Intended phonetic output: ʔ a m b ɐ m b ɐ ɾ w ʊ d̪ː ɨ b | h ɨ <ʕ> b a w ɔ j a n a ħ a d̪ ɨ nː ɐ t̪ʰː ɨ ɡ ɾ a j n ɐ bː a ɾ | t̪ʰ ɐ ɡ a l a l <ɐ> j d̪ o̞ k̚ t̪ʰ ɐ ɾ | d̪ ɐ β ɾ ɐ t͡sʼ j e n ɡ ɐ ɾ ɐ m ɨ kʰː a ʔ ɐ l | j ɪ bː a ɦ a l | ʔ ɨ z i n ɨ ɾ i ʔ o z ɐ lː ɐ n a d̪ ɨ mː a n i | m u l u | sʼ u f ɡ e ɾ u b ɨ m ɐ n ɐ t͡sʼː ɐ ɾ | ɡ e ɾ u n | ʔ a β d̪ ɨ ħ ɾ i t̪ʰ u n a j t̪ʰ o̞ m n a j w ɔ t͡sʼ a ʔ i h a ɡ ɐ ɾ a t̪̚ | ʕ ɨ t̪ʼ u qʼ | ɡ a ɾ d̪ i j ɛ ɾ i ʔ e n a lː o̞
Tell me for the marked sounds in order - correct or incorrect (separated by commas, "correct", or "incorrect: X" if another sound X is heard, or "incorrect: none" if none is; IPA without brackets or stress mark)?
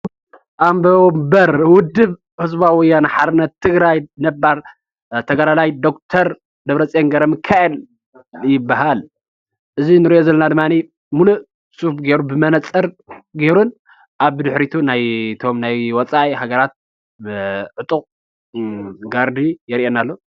incorrect: z, incorrect: a